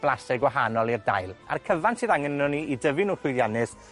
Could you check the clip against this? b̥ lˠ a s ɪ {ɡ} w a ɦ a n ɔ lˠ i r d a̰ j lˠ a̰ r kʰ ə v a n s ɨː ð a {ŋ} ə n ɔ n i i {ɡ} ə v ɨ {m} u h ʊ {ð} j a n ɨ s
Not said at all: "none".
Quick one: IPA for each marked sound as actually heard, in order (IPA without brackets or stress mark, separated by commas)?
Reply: ɡ, ŋ, d, n, ð